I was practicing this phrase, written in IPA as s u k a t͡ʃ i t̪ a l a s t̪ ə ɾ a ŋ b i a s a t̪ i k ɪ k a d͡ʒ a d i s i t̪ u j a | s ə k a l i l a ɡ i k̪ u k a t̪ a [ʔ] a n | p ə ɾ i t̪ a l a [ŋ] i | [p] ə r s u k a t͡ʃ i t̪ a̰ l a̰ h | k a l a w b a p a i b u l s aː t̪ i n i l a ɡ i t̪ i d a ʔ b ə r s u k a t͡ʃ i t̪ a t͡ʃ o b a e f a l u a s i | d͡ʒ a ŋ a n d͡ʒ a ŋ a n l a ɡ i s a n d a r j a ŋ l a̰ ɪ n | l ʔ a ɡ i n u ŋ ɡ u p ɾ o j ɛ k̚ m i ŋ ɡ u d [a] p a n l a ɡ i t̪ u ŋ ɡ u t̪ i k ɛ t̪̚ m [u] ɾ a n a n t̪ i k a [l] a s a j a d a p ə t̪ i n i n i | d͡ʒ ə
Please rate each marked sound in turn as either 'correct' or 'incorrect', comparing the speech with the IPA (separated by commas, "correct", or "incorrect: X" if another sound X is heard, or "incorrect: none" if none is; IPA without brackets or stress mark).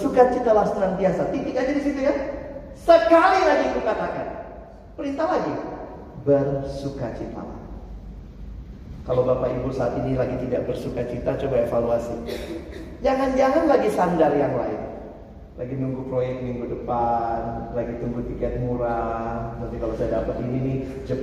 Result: incorrect: k, incorrect: ɡ, incorrect: b, incorrect: ə, correct, correct